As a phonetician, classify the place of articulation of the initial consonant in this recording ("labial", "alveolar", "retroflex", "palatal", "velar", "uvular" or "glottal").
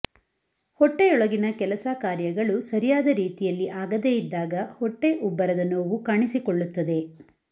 glottal